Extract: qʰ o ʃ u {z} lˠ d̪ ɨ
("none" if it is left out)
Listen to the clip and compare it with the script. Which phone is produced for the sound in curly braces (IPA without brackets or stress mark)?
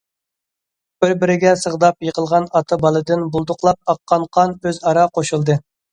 none